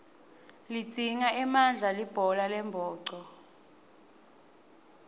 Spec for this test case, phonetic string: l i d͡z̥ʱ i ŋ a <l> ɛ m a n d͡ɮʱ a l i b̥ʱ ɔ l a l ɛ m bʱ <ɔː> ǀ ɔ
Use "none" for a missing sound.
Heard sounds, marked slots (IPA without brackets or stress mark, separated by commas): none, ɔː